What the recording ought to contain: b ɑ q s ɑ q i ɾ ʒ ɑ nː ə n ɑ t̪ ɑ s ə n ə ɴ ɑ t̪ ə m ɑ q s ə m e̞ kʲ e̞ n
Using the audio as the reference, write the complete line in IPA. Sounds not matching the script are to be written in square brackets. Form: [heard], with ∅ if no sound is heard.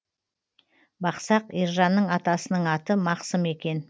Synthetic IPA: b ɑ q s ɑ q i ɾ ʒ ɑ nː ə [ɴ] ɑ t̪ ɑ s ə n ə ɴ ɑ t̪ ə m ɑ q s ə m e̞ kʲ e̞ n